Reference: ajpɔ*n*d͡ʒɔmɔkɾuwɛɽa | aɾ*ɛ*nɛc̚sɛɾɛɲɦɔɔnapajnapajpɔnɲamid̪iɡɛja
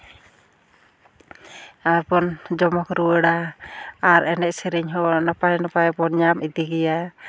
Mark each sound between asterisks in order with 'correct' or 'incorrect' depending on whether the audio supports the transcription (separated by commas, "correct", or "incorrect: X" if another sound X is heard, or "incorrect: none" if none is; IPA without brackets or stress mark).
correct, correct